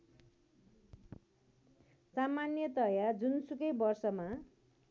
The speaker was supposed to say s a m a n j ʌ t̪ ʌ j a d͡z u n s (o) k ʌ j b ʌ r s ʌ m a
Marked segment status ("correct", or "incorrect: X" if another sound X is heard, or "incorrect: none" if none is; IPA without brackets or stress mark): incorrect: u